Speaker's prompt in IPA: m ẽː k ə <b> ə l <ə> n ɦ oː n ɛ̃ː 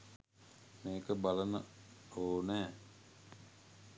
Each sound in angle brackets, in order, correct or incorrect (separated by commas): correct, correct